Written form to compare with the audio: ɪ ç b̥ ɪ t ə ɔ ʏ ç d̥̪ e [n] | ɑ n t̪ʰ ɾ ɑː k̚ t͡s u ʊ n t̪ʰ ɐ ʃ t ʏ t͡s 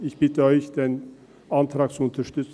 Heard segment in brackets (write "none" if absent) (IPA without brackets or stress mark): n